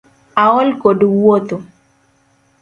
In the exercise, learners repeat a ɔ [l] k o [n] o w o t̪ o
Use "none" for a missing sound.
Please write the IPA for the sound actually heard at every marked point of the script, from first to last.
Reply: l, d

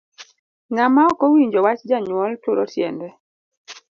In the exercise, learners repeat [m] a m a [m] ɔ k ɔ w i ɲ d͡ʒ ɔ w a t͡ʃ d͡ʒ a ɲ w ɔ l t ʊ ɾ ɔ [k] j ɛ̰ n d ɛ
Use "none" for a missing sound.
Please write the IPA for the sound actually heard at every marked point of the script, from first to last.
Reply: ŋ, none, t

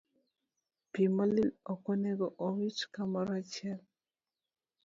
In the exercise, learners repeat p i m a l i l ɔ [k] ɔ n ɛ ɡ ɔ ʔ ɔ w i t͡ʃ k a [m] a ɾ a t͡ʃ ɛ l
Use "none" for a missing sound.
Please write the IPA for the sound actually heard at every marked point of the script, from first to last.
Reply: k, m

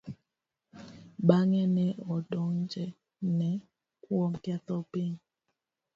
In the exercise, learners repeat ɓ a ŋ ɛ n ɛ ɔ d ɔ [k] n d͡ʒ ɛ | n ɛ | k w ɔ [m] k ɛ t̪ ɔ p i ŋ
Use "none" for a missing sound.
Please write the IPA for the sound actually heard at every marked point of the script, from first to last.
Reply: none, m

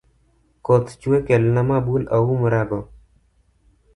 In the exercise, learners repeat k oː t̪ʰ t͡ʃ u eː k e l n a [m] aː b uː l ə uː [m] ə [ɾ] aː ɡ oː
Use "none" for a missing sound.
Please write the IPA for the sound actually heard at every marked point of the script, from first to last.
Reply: m, m, ɾ

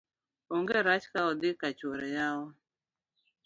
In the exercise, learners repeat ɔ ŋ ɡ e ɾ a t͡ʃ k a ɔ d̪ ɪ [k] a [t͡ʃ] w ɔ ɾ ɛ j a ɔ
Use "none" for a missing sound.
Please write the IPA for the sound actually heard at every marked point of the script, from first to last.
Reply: k, t͡ʃ

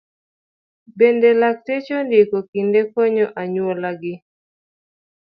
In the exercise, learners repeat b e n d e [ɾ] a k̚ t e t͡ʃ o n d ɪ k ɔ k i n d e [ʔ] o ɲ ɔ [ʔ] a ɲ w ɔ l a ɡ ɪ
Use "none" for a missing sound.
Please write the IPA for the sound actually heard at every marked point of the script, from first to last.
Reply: l, k, ʔ

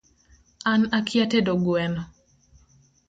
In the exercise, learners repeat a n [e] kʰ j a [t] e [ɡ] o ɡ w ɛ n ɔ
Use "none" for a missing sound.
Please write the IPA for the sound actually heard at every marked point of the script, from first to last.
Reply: a, t, d

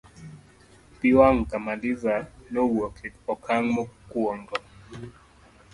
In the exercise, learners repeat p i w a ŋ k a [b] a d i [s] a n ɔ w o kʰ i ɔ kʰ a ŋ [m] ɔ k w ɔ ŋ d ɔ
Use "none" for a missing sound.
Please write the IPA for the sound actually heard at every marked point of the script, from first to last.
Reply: m, z, m

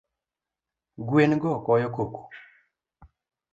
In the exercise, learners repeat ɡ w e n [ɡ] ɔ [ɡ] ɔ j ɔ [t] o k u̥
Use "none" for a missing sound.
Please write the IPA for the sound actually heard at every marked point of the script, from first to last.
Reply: ɡ, k, k

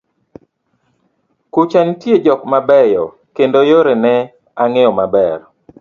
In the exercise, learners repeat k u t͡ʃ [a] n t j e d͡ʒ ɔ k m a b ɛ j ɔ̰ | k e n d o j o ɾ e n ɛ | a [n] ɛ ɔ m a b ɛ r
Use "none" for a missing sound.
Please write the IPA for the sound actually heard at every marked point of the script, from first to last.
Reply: a, ŋ

